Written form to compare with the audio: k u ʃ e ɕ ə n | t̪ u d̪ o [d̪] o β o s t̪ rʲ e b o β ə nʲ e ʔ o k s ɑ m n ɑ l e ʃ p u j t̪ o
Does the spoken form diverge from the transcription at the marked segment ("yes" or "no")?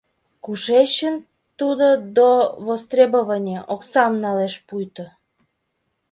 no